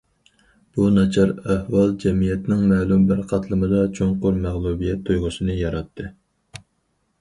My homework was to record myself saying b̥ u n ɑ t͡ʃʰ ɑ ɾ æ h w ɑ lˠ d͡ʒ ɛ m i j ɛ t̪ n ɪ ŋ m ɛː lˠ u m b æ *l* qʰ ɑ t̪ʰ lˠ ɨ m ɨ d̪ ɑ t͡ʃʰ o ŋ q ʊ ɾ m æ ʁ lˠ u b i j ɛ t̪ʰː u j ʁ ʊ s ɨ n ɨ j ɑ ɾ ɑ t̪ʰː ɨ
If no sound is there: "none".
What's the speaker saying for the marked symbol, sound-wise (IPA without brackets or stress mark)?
ɾ